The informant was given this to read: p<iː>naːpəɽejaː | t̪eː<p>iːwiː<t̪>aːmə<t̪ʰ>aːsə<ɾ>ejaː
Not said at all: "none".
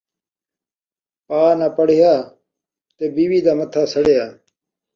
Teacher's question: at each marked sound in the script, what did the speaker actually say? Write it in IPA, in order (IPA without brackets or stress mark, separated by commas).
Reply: aː, b, d̪, t̪ʰ, ɽ